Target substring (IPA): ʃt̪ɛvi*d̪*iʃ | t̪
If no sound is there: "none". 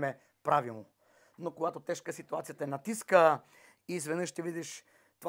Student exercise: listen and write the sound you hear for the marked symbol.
d̪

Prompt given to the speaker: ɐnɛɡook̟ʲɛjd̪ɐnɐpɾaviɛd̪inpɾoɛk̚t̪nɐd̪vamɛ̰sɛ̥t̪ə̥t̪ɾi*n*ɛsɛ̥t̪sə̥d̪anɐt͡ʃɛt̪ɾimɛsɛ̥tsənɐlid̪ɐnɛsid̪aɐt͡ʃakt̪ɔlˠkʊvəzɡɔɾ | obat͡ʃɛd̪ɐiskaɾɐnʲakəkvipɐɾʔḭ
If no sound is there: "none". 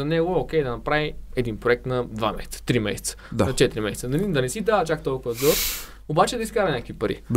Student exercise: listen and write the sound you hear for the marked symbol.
m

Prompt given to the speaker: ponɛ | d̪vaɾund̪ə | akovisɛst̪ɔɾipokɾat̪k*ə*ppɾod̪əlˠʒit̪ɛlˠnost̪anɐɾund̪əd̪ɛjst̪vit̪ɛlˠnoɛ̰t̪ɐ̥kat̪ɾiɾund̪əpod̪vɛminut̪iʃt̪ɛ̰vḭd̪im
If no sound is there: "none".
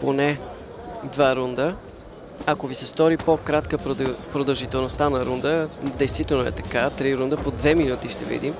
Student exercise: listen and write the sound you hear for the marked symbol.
ə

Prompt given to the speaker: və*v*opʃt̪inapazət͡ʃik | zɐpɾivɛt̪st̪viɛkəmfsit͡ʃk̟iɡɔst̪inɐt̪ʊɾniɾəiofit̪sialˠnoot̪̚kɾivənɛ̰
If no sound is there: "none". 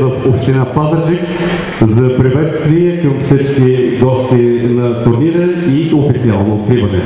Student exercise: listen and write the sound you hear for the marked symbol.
f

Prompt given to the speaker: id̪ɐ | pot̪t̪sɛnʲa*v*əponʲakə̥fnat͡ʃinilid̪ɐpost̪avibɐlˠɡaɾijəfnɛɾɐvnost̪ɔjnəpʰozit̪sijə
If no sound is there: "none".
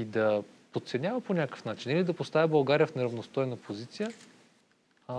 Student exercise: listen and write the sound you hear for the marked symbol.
v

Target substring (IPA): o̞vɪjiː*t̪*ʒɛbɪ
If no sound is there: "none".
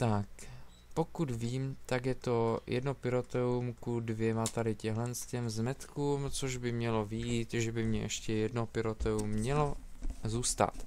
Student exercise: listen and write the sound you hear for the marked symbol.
t̪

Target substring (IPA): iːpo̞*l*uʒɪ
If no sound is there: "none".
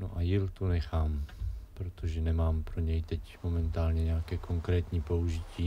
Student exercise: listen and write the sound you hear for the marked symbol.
none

